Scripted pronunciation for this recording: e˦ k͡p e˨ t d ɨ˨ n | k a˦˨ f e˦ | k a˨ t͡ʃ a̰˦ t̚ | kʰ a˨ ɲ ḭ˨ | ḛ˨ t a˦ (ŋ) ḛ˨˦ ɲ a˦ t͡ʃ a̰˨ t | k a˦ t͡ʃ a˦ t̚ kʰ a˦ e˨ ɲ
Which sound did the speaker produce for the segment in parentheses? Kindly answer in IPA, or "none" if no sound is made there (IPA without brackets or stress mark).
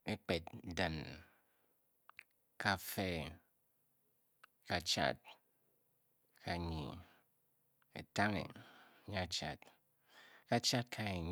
ŋ